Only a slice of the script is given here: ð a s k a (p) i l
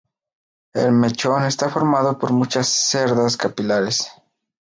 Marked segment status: correct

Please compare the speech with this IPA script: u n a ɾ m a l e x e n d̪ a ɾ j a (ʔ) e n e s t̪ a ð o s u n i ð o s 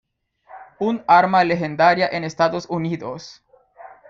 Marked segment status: correct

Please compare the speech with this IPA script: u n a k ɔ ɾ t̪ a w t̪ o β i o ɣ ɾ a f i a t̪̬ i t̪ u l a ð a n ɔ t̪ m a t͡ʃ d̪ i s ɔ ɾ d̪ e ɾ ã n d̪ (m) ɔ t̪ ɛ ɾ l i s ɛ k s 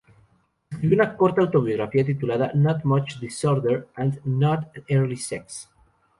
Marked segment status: incorrect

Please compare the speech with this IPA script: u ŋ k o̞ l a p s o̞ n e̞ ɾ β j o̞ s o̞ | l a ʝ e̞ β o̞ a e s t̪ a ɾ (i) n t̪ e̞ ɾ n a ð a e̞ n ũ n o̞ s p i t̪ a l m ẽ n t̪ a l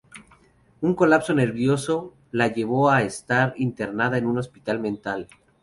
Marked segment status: correct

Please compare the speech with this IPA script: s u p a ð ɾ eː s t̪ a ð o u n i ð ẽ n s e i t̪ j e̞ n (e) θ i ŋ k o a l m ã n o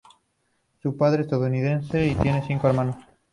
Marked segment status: correct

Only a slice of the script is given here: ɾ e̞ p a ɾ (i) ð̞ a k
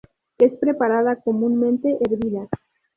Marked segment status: incorrect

